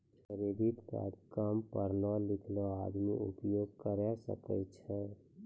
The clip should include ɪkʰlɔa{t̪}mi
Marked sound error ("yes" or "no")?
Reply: yes